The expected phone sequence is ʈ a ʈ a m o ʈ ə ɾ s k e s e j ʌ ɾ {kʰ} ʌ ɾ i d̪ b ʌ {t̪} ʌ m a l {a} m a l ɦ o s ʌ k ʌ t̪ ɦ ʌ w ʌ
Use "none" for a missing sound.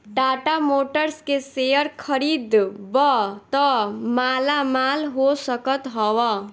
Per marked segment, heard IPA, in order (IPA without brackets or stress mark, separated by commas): kʰ, t̪, a